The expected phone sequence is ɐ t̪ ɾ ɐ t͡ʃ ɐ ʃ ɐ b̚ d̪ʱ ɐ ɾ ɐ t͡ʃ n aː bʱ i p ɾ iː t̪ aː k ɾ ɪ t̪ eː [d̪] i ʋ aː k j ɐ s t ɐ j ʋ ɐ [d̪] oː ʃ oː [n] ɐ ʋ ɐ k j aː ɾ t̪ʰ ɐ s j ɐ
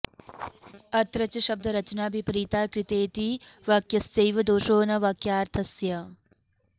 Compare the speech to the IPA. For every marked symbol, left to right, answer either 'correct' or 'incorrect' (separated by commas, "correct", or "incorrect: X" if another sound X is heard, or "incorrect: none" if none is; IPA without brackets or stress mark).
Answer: incorrect: t̪, correct, correct